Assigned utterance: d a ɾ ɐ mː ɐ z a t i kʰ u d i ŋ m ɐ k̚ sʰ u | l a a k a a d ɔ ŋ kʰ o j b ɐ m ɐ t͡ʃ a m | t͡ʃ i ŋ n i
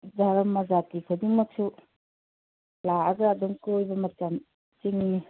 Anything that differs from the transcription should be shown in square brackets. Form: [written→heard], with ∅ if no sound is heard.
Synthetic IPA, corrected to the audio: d a ɾ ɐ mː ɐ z a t i kʰ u d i ŋ m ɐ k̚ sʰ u | l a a [k→ɡ] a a d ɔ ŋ [kʰ→k] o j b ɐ m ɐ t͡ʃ a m | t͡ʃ i ŋ n i